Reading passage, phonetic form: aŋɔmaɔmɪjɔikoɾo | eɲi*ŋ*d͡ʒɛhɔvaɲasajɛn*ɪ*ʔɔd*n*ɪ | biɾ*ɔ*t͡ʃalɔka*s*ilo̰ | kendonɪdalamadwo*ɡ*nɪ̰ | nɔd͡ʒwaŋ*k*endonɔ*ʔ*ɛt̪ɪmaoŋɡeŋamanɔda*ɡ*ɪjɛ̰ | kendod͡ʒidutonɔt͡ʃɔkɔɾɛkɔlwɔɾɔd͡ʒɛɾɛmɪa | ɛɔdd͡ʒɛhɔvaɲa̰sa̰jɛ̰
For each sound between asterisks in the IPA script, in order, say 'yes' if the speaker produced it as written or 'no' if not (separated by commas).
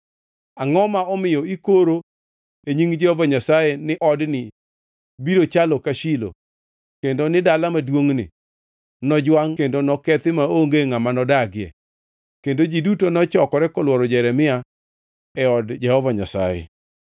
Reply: yes, yes, yes, no, no, no, yes, no, yes